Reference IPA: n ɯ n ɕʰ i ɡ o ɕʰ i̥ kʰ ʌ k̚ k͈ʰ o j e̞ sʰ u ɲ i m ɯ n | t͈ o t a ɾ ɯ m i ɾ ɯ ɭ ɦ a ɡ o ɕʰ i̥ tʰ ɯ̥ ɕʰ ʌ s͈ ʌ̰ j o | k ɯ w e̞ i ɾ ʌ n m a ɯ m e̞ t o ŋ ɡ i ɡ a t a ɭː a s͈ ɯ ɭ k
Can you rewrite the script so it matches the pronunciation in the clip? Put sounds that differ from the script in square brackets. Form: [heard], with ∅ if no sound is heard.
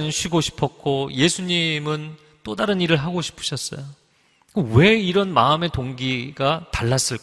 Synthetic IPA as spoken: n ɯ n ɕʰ i ɡ o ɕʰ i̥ [pʰ] ʌ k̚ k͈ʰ o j e̞ sʰ u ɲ i m ɯ n | t͈ o [d] a ɾ ɯ [n] i ɾ ɯ ɭ ɦ a ɡ o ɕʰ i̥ [pʰ] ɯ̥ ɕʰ ʌ s͈ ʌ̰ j o | k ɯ w e̞ i ɾ ʌ n m a ɯ m e̞ t o ŋ ɡ i ɡ a t a ɭː a s͈ ɯ ɭ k